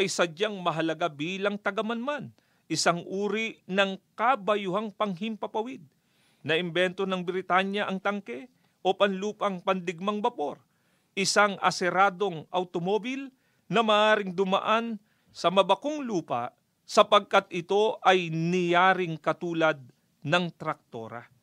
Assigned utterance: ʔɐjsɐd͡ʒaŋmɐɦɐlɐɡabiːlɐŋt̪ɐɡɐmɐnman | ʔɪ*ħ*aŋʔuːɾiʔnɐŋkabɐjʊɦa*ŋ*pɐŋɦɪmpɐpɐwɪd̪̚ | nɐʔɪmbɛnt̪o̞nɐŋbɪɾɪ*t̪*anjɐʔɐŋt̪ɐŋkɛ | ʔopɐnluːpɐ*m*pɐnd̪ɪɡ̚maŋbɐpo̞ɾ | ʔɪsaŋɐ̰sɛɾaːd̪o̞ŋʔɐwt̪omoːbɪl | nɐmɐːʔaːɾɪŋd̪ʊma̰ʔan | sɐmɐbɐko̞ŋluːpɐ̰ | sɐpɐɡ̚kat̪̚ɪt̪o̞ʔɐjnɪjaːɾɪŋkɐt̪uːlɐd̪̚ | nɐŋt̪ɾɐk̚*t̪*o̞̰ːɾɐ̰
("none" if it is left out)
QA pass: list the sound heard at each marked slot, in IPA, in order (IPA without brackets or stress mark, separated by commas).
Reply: s, ŋ, t̪, ŋ, t̪